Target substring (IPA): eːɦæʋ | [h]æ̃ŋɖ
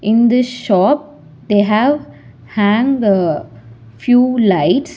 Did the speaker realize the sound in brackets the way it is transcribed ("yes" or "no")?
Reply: yes